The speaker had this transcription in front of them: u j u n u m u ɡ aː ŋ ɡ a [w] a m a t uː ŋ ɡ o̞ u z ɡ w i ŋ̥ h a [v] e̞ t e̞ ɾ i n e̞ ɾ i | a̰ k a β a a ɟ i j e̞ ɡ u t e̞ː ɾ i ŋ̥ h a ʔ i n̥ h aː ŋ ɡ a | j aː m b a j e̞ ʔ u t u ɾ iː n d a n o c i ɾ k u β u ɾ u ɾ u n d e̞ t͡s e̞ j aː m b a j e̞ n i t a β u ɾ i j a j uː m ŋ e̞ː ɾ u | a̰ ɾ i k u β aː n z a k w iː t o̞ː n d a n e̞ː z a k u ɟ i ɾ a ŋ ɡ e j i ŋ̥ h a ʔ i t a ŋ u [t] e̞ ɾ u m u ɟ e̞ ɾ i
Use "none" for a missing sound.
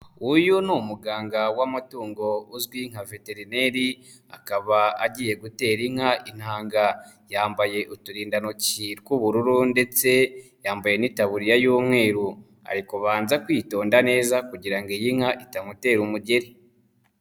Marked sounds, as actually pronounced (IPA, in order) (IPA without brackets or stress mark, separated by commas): w, v, t